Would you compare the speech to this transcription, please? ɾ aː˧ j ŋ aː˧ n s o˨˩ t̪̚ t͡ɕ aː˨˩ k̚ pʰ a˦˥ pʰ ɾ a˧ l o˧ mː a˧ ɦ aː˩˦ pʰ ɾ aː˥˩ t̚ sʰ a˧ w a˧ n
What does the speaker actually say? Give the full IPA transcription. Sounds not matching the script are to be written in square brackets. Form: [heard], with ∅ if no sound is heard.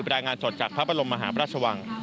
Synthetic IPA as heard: ɾ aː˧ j ŋ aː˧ n s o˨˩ t̪̚ t͡ɕ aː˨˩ k̚ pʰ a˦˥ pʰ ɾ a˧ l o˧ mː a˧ ɦ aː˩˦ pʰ ɾ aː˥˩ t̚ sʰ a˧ w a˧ [ŋ]